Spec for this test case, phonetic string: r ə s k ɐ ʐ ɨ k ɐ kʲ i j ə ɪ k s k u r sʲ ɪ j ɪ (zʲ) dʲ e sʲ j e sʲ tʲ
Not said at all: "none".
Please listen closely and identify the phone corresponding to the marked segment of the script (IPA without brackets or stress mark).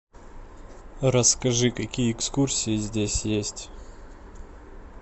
zʲ